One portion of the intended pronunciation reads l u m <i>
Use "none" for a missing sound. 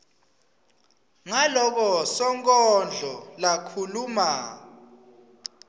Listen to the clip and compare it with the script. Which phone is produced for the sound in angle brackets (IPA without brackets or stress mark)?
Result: a